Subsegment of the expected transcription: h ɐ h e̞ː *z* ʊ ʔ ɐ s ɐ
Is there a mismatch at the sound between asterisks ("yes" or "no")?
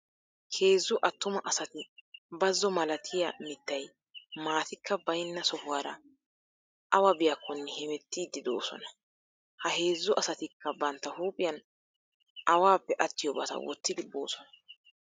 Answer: yes